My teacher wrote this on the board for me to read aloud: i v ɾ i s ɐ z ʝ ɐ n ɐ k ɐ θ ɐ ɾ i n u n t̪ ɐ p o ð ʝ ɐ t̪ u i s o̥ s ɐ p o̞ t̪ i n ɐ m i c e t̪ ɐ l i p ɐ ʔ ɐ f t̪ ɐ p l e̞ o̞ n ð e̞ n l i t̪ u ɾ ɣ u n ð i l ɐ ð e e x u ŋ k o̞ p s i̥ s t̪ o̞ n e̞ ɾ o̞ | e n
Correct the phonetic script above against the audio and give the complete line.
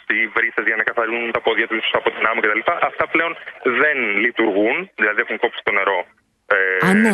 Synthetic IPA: i v ɾ i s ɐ z ʝ ɐ n ɐ k ɐ θ ɐ ɾ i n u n t̪ ɐ p o ð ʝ ɐ t̪ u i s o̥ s ɐ p o̞ t̪ i n ɐ m i c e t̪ ɐ l i p ɐ ʔ ɐ f t̪ ɐ p l e̞ o̞ n ð e̞ n l i t̪ u ɾ ɣ u n ð i l ɐ ð i e x u ŋ k o̞ p s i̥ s t̪ o̞ n e̞ ɾ o̞ | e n